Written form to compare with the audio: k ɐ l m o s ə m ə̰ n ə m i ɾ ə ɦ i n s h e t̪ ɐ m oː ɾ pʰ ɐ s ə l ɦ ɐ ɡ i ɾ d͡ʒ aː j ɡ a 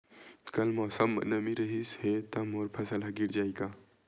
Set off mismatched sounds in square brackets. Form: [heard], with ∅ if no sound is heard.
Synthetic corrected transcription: k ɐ l m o s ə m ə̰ n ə m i ɾ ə ɦ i [∅] s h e t̪ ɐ m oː ɾ pʰ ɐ s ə l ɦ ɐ ɡ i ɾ d͡ʒ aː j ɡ a

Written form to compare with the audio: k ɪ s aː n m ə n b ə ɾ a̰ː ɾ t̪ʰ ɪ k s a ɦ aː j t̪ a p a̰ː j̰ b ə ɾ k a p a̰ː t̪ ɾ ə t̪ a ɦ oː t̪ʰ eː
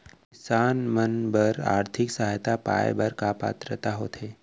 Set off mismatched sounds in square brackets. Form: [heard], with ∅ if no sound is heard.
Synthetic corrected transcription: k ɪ s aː n m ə n b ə ɾ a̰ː ɾ t̪ʰ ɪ k s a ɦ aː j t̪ a p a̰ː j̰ b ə ɾ k a p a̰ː t̪ ɾ ə t̪ a ɦ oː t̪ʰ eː

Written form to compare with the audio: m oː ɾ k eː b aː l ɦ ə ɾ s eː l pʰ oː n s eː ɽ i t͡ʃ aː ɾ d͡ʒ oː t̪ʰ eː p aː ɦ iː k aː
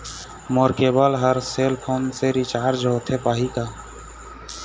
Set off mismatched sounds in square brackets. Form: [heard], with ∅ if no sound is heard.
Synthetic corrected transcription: m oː ɾ k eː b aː l ɦ ə ɾ s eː l pʰ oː n s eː [ɾ] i t͡ʃ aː ɾ d͡ʒ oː t̪ʰ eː p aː ɦ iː k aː

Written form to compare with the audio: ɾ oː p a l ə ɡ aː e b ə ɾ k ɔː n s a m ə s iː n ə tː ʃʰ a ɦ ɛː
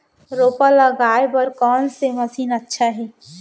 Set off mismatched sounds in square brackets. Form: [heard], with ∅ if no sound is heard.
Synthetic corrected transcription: ɾ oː p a l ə ɡ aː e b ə ɾ k ɔː n s [e] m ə s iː n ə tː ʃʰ a ɦ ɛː

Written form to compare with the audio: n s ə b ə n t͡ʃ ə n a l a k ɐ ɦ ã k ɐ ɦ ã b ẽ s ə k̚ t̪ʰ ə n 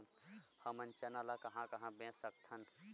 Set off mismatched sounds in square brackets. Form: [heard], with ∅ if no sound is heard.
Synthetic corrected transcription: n [h] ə [m] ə n t͡ʃ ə n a l a k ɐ ɦ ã k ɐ ɦ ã b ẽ s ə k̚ t̪ʰ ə n

